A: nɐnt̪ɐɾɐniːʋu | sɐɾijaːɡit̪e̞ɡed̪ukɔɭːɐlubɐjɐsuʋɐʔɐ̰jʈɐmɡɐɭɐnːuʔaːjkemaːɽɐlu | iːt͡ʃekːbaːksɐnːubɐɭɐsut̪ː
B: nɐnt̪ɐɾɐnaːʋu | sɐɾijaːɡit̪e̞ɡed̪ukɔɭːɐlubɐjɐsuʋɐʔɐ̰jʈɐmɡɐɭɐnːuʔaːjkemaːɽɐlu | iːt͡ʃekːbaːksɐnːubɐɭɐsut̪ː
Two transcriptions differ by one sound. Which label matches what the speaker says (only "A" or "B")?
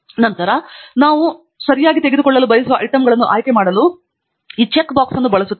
B